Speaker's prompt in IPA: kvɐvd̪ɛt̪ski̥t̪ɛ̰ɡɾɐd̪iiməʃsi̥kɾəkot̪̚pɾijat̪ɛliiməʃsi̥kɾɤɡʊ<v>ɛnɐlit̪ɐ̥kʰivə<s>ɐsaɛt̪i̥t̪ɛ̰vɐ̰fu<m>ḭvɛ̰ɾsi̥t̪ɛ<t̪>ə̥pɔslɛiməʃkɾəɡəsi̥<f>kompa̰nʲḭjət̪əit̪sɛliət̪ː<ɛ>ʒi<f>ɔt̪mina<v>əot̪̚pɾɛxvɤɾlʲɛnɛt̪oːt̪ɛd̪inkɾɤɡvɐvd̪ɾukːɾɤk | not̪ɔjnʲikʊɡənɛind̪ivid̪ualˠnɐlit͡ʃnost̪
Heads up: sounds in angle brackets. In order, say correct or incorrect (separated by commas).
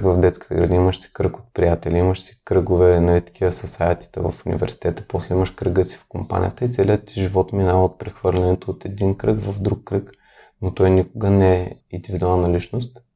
correct, correct, incorrect, correct, correct, incorrect, incorrect, correct